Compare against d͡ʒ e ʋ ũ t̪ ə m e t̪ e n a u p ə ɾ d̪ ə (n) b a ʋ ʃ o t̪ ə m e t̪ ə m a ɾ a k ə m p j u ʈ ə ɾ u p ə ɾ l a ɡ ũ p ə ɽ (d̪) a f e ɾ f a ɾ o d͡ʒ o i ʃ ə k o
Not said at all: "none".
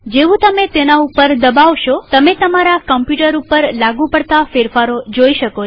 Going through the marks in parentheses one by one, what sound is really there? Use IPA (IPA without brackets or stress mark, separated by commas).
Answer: none, t̪